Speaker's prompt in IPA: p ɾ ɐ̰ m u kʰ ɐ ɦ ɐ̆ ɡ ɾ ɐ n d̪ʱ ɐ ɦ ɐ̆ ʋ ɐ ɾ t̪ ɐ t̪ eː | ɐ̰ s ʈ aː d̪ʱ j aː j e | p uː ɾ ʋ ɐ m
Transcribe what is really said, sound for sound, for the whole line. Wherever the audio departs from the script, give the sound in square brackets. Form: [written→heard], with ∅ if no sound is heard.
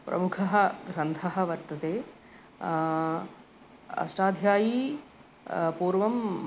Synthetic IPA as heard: p ɾ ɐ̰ m u kʰ ɐ ɦ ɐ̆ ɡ ɾ ɐ n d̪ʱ ɐ ɦ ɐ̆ ʋ ɐ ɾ t̪ ɐ t̪ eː | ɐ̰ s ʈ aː d̪ʱ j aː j [e→i] | p uː ɾ ʋ ɐ m